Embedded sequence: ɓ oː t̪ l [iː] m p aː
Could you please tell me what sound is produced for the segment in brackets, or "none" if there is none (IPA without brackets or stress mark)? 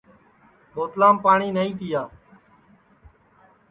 aː